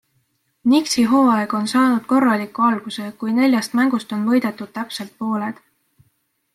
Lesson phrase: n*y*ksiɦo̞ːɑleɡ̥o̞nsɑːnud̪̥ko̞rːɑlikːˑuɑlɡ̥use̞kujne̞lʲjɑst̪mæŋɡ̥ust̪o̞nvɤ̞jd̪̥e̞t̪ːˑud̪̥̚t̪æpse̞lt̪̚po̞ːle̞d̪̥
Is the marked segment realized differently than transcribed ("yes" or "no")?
yes